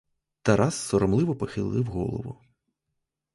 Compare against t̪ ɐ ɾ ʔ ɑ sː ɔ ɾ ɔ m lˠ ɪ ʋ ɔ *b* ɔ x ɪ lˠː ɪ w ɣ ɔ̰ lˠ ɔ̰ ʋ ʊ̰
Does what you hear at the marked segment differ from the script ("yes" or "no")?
yes